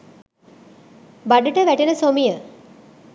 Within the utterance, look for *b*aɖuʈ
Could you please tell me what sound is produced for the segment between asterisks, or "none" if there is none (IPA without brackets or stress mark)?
b